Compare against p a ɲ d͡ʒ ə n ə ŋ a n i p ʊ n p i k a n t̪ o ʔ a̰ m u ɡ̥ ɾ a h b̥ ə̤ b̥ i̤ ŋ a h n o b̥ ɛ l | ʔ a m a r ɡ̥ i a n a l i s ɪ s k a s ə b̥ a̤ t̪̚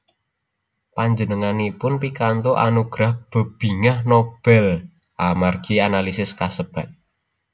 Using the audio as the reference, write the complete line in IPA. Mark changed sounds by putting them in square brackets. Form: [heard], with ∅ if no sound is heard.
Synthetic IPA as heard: p a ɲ d͡ʒ ə n ə ŋ a n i p ʊ n p i k a n t̪ o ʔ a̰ [n] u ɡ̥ ɾ a h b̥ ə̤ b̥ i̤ ŋ a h n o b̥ ɛ l | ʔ a m a r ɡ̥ i a n a l i s ɪ s k a s ə b̥ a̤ t̪̚